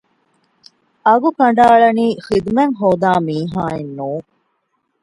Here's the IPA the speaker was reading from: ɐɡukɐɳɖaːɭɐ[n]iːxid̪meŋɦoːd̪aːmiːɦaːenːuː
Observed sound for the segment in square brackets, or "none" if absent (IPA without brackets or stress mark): n